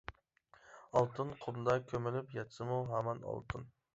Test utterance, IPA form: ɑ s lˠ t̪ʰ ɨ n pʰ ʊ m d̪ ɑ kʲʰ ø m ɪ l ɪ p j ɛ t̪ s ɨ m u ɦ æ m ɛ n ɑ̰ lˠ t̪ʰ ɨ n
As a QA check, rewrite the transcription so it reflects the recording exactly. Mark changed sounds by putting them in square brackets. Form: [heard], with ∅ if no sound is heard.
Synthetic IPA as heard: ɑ [∅] lˠ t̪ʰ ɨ n [qʰ] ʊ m d̪ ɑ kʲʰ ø m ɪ l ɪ p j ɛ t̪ s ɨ m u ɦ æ m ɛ n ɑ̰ lˠ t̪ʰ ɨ n